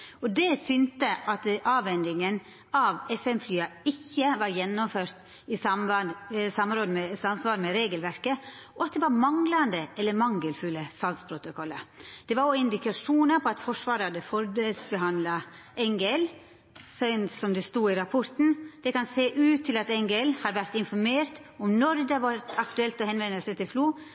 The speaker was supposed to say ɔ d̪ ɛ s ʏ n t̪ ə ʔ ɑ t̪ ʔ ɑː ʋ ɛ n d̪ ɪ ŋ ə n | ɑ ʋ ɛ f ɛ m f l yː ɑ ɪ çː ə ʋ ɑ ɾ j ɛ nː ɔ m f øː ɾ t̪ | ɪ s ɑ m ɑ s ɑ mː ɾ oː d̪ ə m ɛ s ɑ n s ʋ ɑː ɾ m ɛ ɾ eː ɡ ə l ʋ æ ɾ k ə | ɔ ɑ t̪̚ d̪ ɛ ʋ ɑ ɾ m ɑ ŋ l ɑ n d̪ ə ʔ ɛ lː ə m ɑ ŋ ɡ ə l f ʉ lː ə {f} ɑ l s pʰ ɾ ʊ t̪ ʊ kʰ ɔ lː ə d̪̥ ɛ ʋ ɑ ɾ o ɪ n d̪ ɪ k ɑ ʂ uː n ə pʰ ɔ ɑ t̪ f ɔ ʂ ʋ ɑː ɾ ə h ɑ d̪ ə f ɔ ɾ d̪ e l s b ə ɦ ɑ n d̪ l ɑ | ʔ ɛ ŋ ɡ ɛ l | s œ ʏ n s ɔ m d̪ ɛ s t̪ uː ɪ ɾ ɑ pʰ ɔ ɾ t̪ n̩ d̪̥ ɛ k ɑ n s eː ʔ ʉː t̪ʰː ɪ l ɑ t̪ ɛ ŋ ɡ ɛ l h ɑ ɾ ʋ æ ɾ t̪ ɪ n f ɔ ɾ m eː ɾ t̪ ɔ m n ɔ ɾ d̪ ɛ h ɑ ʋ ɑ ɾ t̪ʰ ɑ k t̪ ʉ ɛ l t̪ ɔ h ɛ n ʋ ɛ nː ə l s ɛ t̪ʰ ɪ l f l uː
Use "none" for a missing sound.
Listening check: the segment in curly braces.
s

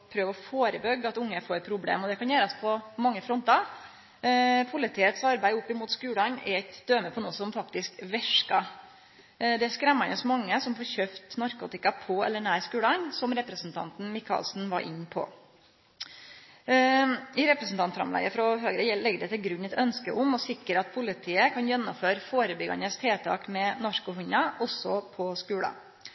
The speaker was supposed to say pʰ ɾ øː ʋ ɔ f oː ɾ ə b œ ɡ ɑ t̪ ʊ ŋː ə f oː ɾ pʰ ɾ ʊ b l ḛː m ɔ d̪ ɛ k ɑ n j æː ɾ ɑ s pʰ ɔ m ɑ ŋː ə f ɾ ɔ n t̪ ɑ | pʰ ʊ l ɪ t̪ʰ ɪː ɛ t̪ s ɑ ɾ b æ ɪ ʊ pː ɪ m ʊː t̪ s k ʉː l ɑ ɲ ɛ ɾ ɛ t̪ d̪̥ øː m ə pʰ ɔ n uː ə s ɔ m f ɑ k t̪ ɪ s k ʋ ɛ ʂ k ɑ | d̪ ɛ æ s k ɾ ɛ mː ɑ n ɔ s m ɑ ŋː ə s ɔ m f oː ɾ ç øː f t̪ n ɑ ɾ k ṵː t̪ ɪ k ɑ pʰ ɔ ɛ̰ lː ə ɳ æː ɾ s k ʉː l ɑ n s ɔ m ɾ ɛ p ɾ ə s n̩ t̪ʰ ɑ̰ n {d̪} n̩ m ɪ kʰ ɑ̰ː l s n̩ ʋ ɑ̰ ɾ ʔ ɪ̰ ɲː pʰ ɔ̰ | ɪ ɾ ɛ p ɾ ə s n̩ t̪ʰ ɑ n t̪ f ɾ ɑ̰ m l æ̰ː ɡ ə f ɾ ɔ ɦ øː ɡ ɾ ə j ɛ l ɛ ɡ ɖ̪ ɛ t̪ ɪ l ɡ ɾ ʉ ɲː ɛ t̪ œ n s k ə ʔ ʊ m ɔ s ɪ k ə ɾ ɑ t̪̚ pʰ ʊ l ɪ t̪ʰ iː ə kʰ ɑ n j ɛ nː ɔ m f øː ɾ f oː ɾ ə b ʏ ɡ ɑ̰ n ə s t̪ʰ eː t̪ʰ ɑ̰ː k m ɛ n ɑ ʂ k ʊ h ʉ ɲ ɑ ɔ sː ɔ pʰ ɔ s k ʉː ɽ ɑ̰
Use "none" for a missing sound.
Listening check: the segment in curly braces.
t̪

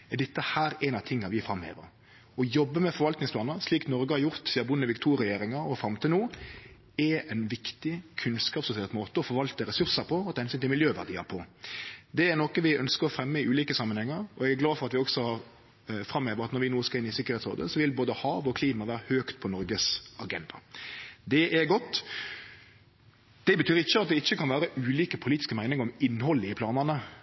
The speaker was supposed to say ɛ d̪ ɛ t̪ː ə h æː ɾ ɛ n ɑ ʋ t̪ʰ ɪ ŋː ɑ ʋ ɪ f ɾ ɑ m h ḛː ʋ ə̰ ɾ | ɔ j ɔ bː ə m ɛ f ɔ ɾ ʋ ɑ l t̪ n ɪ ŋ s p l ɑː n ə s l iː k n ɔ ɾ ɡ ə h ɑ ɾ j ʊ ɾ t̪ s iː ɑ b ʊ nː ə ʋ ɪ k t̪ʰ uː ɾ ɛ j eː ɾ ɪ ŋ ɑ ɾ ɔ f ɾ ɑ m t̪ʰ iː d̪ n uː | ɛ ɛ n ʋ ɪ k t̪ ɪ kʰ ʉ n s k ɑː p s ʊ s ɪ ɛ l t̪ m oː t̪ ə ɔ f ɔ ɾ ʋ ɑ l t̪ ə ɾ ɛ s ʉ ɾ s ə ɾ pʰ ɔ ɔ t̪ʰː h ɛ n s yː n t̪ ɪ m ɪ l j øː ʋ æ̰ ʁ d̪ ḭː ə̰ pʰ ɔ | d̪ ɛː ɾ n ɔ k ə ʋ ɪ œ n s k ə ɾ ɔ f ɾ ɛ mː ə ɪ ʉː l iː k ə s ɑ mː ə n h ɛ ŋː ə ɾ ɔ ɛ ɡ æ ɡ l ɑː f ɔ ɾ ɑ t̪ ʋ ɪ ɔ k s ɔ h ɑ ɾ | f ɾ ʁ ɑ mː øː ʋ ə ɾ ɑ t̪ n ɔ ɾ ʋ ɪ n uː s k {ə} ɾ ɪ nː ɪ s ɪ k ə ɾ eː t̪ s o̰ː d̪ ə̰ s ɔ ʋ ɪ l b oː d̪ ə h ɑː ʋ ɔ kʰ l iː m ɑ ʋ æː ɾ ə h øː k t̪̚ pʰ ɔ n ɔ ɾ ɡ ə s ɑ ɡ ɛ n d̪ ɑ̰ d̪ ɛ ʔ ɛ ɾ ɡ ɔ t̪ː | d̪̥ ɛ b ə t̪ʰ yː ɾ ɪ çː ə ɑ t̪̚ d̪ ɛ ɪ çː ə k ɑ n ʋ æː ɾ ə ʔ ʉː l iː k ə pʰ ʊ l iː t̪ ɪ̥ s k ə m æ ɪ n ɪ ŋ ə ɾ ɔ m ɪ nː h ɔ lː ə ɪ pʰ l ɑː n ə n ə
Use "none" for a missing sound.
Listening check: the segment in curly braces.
ɑ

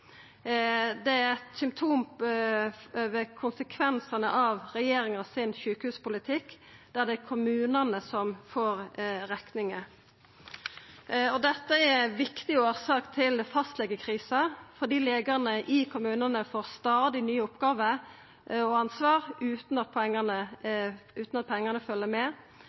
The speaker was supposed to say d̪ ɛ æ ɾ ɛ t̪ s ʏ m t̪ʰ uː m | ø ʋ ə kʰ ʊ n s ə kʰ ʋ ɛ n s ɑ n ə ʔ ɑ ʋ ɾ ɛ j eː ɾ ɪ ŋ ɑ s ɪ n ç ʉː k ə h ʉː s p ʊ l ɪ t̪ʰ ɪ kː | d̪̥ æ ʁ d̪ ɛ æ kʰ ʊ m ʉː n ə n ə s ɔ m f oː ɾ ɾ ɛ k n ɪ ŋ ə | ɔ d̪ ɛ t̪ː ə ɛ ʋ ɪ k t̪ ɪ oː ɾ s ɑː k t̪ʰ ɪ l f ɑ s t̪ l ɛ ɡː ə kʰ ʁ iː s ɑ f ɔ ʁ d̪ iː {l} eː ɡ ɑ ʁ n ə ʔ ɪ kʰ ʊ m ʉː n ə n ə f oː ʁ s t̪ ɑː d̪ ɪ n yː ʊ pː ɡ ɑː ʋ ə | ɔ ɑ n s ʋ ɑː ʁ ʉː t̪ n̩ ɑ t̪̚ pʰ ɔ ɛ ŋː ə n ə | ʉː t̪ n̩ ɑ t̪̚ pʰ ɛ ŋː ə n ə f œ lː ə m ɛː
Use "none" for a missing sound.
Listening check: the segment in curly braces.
l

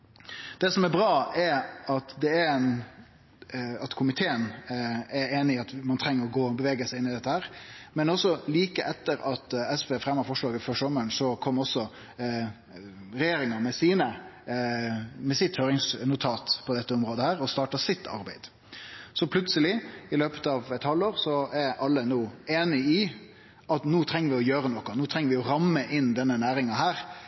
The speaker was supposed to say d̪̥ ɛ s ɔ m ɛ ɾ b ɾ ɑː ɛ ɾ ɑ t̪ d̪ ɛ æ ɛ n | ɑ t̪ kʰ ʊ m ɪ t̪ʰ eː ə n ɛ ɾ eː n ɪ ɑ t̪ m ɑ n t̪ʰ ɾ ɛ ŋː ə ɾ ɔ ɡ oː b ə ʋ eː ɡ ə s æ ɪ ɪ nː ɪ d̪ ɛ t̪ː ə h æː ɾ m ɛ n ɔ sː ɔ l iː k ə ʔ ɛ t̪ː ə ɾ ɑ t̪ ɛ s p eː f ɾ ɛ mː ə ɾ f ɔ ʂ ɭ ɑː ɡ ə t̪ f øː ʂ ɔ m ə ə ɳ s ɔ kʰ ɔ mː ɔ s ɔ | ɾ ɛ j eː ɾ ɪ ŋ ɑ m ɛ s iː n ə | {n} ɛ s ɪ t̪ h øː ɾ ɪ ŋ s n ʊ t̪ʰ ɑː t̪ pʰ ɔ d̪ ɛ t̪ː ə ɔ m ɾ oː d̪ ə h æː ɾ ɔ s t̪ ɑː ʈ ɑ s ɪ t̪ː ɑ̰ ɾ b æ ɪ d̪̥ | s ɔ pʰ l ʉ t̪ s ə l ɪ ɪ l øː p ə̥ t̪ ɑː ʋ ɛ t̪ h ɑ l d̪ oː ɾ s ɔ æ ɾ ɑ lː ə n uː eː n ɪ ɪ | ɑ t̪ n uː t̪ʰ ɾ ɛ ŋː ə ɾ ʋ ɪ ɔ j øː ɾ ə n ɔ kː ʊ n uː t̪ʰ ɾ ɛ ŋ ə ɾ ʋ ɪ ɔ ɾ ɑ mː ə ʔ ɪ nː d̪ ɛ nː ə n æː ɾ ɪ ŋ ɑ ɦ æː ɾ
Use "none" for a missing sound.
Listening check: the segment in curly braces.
m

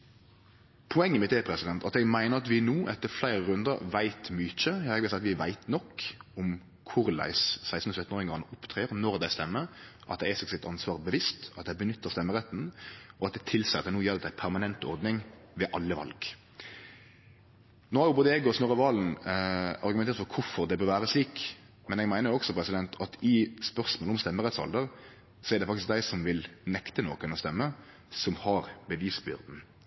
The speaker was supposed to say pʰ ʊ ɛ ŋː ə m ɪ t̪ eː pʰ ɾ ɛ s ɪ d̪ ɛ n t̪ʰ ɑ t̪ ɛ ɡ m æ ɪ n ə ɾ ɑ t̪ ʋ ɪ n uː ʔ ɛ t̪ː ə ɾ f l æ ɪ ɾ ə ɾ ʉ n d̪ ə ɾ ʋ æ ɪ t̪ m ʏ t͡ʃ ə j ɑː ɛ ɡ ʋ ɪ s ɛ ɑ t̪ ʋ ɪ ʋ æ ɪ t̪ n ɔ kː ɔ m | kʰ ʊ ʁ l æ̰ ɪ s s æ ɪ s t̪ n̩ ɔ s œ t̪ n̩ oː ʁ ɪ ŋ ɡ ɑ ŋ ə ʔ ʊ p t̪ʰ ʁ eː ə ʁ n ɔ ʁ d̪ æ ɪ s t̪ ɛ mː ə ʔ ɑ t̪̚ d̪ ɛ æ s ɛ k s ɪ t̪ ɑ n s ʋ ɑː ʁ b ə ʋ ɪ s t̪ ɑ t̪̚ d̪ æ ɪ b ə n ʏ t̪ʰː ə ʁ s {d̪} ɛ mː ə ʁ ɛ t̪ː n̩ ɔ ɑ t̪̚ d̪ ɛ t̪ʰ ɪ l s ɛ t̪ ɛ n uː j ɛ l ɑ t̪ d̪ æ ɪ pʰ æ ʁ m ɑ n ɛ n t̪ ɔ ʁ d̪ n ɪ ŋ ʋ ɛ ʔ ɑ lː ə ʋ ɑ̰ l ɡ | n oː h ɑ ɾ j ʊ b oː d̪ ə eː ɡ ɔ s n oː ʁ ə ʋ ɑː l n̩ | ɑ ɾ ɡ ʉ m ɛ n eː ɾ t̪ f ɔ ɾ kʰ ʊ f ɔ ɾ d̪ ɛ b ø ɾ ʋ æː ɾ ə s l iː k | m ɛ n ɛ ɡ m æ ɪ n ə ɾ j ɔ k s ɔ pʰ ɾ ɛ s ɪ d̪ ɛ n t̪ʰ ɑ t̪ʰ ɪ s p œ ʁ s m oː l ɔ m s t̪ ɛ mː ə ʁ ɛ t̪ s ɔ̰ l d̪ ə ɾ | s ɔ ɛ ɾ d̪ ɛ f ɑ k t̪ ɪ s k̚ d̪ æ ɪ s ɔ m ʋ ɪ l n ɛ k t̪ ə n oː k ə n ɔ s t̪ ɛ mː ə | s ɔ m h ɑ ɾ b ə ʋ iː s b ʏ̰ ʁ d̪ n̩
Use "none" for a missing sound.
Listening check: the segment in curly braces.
t̪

